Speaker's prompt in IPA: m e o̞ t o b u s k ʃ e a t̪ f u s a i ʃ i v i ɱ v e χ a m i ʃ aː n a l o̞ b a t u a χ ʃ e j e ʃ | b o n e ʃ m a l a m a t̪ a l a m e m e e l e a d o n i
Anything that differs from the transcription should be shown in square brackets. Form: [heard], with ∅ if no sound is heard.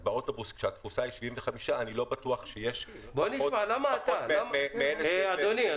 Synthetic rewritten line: [b] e o̞ t o b u s k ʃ e a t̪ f u s a i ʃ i v i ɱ v e χ a m i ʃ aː n [i] l o̞ b a t u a χ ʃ e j e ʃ | b o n [i] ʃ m a l a m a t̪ a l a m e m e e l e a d o n i